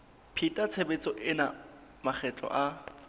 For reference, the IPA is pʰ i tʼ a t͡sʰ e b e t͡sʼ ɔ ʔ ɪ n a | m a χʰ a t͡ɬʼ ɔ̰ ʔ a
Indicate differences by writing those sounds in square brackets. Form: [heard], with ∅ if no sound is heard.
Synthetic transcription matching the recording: pʰ i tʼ a t͡sʰ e b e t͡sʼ ɔ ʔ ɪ n a | m a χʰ [ɛ] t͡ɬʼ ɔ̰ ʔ a